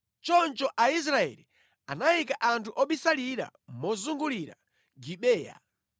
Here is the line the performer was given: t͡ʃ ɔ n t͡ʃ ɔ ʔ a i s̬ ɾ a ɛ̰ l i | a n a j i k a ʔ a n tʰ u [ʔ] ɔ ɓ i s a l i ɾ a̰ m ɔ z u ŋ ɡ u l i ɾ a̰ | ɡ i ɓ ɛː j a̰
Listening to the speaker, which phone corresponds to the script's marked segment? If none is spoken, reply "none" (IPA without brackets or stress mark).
ʔ